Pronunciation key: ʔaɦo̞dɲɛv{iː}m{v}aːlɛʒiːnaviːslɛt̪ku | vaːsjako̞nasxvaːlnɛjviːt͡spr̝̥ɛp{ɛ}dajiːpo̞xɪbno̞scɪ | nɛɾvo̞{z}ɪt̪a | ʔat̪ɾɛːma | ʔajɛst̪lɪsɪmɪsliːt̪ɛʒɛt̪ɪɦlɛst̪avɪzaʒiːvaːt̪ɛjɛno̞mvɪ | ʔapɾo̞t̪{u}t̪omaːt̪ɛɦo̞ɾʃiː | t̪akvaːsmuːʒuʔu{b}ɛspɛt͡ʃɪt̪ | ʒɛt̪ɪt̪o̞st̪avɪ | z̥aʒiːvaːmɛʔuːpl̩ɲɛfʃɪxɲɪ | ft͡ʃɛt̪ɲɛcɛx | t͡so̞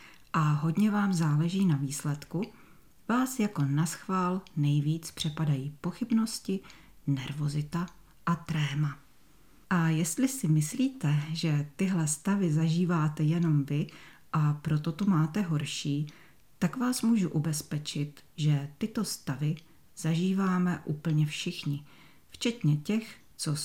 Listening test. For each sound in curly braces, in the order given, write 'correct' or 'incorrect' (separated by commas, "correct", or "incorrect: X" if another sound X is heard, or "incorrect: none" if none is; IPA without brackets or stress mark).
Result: incorrect: aː, incorrect: z, incorrect: a, correct, incorrect: o, correct